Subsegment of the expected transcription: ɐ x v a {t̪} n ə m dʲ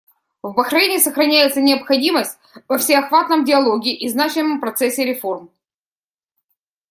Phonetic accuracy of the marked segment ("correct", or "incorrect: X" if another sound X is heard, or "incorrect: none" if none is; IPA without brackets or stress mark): correct